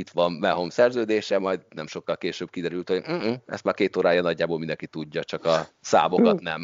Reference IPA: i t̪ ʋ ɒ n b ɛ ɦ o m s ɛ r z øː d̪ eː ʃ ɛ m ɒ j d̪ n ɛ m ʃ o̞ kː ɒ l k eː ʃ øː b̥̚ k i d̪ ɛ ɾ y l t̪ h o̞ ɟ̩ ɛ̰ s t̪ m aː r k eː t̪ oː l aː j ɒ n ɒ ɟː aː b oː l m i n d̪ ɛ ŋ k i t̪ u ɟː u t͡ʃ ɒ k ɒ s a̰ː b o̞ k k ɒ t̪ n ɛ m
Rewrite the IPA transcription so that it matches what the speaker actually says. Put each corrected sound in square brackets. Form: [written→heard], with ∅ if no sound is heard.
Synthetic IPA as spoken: i t̪ ʋ ɒ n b ɛ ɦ o m s ɛ r z øː d̪ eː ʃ ɛ m ɒ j d̪ n ɛ m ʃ o̞ kː ɒ l k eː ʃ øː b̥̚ k i d̪ ɛ ɾ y l t̪ h o̞ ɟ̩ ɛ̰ s t̪ m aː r k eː t̪ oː [l→ɾ] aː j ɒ n ɒ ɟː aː b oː l m i n d̪ ɛ ŋ k i t̪ u ɟː [u→ɒ] t͡ʃ ɒ k ɒ s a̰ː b o̞ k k ɒ t̪ n ɛ m